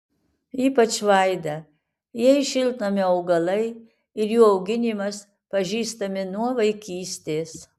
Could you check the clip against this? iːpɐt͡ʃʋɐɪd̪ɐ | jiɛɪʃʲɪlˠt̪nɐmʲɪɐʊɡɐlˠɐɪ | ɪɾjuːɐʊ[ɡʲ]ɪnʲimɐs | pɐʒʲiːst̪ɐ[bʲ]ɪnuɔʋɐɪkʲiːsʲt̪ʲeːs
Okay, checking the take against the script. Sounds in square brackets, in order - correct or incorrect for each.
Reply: correct, incorrect

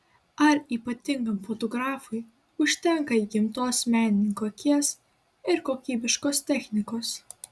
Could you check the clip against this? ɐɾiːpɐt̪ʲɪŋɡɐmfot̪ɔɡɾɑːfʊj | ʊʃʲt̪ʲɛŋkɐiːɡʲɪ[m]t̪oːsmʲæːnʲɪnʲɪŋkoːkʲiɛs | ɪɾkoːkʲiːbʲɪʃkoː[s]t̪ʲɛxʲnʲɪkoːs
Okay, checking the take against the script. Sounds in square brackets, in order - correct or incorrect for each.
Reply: correct, correct

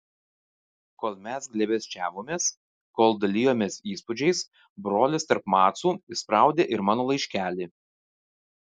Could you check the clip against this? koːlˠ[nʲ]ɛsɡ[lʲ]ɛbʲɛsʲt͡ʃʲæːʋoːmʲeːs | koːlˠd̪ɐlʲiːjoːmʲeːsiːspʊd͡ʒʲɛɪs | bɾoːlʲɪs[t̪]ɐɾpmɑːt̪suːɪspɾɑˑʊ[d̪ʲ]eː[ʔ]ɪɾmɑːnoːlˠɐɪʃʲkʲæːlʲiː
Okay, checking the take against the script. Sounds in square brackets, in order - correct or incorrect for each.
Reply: incorrect, correct, correct, correct, correct

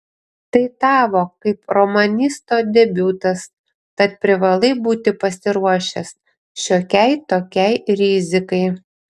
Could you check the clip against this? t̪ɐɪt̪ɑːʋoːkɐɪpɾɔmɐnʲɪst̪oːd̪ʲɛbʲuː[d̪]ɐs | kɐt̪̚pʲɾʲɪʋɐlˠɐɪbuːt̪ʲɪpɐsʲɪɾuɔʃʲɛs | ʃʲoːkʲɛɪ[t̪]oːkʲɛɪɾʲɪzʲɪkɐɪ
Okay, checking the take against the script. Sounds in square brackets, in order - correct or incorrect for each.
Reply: incorrect, correct

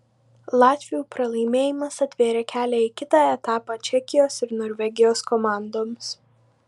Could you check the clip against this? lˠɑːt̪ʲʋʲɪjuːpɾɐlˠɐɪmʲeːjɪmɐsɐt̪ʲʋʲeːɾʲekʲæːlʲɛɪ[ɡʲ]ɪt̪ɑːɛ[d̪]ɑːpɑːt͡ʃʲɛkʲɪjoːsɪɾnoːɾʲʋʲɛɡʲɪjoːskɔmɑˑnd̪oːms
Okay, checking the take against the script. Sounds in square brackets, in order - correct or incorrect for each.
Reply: incorrect, incorrect

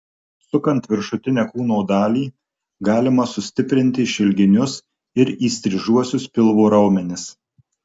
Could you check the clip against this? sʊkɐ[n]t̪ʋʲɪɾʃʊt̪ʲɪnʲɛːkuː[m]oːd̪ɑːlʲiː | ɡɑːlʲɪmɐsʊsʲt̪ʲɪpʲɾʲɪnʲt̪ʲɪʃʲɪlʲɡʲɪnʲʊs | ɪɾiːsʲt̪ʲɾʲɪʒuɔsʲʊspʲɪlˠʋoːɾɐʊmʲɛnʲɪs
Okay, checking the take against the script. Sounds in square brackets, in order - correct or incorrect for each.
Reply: correct, incorrect

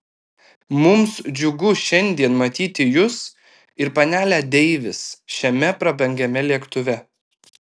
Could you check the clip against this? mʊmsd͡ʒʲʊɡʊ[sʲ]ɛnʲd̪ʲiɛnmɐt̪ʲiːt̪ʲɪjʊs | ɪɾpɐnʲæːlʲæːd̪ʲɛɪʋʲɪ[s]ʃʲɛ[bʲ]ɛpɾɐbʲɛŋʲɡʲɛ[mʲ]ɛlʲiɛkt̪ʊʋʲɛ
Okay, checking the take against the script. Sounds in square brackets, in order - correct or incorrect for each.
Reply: incorrect, correct, incorrect, correct

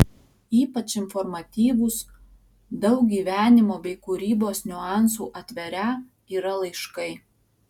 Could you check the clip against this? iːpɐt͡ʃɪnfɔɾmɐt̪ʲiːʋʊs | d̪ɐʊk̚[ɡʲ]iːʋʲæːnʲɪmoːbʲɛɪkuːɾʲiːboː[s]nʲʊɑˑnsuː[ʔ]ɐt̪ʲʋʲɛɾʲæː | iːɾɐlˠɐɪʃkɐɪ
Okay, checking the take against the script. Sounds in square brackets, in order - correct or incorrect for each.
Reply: correct, correct, correct

